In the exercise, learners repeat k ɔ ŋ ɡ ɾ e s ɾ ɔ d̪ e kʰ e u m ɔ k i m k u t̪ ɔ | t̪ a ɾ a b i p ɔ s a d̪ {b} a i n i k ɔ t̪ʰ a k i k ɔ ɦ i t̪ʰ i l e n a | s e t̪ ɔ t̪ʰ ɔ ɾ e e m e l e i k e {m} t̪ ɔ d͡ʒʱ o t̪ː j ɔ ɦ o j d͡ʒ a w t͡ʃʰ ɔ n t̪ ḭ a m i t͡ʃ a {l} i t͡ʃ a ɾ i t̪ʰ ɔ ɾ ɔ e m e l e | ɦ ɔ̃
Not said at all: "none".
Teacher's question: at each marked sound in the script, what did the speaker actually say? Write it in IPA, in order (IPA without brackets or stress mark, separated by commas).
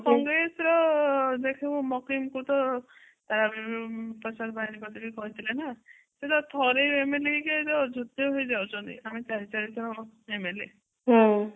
b, none, ɾ